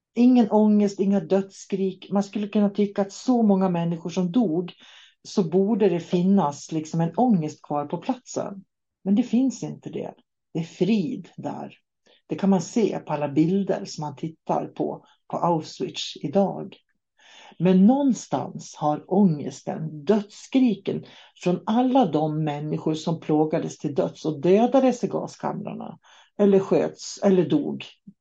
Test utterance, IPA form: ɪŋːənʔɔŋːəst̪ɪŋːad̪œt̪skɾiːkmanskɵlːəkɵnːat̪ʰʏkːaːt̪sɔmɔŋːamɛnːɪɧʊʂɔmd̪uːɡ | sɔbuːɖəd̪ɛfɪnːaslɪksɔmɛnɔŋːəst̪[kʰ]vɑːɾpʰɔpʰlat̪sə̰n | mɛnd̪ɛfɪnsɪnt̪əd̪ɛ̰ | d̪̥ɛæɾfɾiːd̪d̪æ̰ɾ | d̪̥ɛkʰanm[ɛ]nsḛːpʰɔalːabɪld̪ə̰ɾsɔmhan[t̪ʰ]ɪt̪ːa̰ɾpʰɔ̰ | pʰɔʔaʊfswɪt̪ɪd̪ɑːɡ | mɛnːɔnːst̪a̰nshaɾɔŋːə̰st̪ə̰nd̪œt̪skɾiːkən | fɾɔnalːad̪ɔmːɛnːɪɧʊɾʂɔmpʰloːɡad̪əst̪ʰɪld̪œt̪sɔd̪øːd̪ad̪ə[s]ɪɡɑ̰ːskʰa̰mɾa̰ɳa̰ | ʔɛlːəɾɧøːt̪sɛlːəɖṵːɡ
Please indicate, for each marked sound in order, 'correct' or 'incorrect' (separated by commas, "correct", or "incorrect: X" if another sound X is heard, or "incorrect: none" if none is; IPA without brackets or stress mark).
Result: correct, incorrect: a, correct, correct